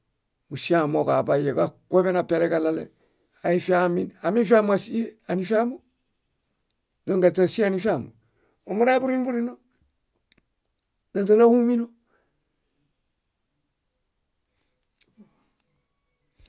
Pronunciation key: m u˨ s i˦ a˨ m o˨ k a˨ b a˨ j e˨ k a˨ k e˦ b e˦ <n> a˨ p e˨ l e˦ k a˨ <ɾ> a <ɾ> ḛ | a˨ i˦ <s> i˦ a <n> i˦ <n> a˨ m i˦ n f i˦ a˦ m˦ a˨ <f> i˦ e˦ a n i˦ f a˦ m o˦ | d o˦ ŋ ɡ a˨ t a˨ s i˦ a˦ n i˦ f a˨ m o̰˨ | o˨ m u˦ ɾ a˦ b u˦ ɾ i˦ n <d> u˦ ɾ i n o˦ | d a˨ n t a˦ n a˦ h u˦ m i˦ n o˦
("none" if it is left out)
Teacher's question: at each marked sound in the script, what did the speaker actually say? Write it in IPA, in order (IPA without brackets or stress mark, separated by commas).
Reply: n, l, l, f, m, n, s, b